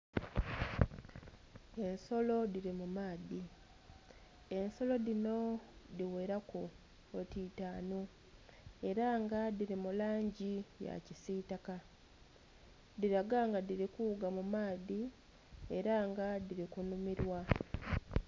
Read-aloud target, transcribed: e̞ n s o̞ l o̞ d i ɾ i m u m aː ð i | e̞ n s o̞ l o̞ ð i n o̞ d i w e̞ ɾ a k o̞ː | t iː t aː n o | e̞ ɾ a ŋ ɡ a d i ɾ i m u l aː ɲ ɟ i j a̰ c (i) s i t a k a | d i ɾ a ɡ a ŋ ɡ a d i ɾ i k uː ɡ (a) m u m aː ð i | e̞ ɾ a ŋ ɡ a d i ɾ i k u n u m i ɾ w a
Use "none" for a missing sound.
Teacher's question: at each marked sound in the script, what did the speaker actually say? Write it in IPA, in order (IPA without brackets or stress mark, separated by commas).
i, a